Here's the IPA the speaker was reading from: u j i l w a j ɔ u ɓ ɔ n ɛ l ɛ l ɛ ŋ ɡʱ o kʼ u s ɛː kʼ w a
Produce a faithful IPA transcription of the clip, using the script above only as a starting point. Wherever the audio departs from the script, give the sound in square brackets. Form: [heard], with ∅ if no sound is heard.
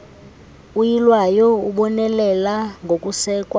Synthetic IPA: u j i l w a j ɔ u ɓ ɔ n ɛ l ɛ l [a] ŋ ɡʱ o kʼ u s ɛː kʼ w a